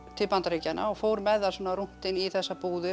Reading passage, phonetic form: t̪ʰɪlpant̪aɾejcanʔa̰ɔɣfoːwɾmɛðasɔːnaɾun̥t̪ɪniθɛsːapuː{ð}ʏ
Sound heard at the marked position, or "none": ð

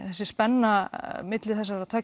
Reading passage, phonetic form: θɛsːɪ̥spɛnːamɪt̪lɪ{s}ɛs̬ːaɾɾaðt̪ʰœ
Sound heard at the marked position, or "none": θ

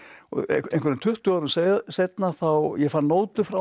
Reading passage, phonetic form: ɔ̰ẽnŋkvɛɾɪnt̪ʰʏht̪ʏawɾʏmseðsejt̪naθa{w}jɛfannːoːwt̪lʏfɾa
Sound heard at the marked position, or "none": w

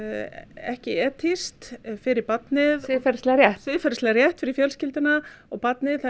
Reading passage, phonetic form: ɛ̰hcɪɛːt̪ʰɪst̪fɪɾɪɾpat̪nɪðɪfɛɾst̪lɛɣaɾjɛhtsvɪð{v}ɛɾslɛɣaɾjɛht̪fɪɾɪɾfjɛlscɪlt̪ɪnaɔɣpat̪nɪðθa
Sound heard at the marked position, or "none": f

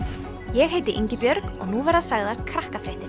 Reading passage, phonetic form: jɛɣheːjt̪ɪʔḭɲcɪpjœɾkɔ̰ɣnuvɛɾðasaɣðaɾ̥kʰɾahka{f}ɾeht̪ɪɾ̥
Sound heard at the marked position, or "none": f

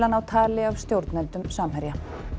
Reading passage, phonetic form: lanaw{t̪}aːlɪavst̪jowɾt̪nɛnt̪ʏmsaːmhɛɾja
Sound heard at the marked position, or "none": t̪ʰ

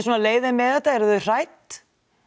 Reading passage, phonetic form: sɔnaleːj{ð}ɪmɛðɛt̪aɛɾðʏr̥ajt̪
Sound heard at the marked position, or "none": ð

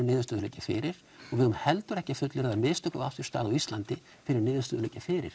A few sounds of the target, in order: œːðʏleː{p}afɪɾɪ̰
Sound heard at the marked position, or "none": c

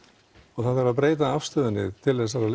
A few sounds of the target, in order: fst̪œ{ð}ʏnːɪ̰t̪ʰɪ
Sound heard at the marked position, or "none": ð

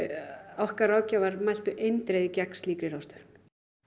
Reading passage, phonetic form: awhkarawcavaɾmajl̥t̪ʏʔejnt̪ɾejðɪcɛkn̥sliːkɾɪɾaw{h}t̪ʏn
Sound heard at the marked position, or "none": s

